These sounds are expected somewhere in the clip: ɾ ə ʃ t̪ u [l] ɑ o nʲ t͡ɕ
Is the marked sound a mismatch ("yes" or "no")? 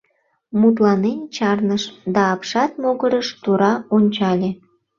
yes